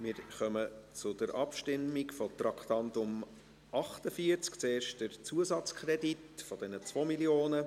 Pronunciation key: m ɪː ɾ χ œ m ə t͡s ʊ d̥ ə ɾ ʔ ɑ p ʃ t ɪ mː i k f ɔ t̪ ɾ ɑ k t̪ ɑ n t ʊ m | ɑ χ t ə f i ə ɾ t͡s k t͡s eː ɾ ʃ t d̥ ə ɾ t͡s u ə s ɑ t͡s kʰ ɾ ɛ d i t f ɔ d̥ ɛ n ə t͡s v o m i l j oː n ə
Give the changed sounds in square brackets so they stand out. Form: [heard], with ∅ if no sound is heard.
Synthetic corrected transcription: m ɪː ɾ χ œ m ə t͡s ʊ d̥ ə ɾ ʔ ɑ p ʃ t ɪ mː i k f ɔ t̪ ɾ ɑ k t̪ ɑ n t ʊ m | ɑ χ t ə f i ə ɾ t͡s k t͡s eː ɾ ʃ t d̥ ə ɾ t͡s u ə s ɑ t͡s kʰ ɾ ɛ d i t f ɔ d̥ ɛ n ə t͡s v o m i l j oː n ə